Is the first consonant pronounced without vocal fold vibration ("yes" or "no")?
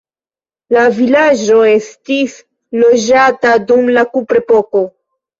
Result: no